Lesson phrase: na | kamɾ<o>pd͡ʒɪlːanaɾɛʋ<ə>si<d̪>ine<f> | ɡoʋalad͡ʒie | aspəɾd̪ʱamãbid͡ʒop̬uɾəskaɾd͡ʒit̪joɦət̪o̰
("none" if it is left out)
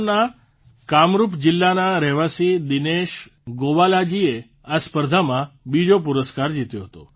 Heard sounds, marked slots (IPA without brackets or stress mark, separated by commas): u, a, d̪, ʃ